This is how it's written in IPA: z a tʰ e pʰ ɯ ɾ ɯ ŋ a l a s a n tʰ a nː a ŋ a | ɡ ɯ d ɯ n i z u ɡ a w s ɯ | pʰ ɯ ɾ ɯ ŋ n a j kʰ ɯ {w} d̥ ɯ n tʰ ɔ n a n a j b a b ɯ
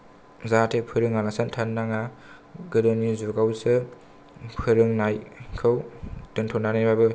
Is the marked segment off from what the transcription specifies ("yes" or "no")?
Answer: no